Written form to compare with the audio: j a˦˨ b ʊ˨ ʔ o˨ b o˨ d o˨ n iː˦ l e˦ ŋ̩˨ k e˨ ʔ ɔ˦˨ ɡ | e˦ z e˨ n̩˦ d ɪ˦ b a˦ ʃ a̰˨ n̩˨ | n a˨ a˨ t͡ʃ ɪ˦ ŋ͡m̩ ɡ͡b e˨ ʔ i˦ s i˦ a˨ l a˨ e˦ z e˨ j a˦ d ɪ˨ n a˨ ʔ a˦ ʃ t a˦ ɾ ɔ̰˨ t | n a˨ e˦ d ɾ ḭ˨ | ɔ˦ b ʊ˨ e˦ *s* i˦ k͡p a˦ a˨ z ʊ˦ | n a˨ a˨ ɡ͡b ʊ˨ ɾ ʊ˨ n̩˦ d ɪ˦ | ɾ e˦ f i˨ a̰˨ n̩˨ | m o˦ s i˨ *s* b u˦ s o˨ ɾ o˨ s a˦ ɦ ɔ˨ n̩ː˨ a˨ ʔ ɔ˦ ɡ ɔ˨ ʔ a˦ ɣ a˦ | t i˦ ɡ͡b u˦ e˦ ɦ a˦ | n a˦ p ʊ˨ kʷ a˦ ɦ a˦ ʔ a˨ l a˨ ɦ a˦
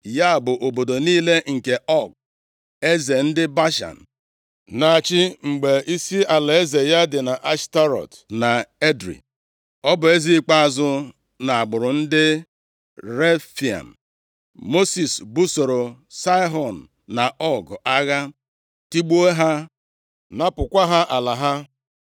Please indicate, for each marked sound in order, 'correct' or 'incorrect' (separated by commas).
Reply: incorrect, correct